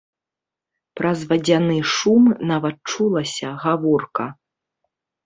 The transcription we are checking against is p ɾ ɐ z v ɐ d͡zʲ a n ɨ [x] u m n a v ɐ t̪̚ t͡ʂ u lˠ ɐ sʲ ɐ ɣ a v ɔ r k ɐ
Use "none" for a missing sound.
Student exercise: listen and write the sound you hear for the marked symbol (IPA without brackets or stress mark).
ʂ